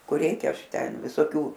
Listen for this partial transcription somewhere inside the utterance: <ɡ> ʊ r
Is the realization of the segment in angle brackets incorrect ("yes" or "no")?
yes